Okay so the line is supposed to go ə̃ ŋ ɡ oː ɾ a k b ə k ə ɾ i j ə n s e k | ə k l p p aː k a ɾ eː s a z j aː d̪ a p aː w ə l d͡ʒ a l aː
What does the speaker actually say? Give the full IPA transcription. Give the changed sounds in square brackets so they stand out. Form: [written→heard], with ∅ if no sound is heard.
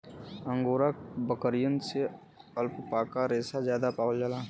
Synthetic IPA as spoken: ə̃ ŋ ɡ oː ɾ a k b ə k ə ɾ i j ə n s e [k→∅] | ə [k→∅] l p p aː k a ɾ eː s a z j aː d̪ a p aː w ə l d͡ʒ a l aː